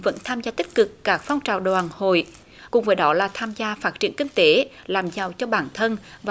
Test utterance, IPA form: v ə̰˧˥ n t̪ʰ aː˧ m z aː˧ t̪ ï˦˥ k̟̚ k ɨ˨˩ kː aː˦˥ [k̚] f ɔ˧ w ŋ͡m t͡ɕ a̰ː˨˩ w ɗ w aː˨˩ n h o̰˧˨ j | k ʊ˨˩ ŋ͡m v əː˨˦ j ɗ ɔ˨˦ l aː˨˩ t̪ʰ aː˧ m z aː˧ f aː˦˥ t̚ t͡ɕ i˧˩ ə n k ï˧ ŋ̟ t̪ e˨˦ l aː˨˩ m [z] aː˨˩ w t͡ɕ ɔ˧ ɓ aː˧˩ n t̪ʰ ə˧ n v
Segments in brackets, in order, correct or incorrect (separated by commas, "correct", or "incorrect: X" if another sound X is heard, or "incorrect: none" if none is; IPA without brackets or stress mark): correct, correct